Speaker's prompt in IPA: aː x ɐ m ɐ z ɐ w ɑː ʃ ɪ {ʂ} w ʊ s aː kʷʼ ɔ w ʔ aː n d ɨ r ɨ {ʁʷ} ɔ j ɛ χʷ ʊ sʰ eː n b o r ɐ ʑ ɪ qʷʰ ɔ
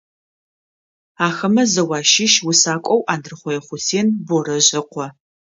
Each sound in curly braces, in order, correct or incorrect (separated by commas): incorrect, incorrect